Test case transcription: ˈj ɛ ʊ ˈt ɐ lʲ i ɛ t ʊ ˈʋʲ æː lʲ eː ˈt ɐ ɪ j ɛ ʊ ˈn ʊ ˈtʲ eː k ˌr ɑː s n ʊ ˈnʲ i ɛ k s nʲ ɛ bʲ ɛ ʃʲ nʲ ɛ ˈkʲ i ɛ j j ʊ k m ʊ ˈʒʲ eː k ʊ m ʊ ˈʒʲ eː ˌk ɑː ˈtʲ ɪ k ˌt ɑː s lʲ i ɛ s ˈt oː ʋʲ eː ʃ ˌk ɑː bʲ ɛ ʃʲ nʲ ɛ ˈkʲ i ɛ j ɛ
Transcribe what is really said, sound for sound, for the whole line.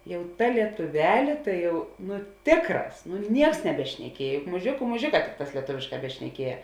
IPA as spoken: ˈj ɛ ʊ ˈt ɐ lʲ i ɛ t ʊ ˈʋʲ æː lʲ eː ˈt ɐ ɪ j ɛ ʊ ˈn ʊ ˈtʲ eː k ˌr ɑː s n ʊ ˈnʲ i ɛ k s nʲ ɛ bʲ ɛ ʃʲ nʲ ɛ ˈkʲ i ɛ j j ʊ k m ʊ ˈʒʲ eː k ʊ m ʊ ˈʒʲ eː ˌk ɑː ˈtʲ ɪ k ˌt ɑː s lʲ i ɛ ˈt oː ʋʲ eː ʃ ˌk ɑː bʲ ɛ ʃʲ nʲ ɛ ˈkʲ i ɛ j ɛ